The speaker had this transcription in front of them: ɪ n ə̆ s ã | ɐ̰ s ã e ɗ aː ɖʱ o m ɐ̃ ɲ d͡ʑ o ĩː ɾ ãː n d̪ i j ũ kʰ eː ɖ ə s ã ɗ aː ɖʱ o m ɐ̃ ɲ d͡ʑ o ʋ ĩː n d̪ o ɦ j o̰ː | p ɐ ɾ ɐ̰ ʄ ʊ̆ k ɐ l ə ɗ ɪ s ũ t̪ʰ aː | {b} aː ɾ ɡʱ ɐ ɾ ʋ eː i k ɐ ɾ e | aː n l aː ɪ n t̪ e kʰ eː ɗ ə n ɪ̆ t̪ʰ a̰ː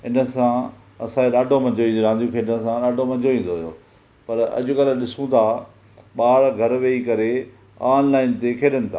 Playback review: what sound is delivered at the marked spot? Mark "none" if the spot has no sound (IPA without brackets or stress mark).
ɓ